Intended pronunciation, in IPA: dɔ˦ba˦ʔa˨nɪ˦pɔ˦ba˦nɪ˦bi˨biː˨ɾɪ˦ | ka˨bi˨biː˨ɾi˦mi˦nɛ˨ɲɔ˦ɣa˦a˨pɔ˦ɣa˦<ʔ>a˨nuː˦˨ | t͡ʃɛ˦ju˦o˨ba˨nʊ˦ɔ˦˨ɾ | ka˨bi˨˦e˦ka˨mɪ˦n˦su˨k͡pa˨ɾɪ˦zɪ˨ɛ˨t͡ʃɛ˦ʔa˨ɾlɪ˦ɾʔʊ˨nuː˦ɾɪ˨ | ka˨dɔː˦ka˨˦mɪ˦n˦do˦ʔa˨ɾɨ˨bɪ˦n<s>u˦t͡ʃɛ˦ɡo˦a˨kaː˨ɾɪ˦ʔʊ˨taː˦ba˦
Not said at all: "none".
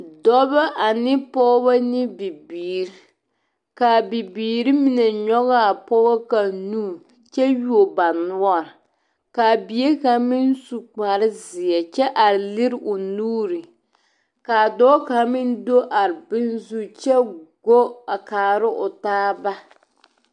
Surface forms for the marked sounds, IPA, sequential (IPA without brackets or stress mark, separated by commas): k, z